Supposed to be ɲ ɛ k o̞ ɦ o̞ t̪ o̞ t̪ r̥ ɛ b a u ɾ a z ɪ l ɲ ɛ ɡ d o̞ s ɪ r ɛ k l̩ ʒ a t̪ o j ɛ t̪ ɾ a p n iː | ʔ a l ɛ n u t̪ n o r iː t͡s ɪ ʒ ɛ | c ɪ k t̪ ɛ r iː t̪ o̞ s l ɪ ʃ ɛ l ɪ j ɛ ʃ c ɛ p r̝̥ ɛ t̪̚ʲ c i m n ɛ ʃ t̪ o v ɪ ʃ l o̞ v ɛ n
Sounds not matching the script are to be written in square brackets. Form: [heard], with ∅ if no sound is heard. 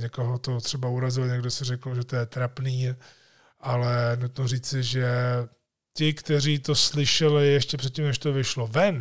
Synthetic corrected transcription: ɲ ɛ k o̞ ɦ o̞ t̪ o̞ t̪ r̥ ɛ b a u ɾ a z ɪ l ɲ ɛ ɡ d o̞ s ɪ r ɛ k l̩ ʒ [ɛ] t̪ o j ɛ t̪ ɾ a p n iː | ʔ a l ɛ n u t̪ n o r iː t͡s ɪ ʒ ɛ | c ɪ k t̪ ɛ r iː t̪ o̞ s l ɪ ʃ ɛ l ɪ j ɛ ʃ c ɛ p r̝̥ ɛ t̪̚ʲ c i m n ɛ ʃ t̪ o v ɪ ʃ l o̞ v ɛ n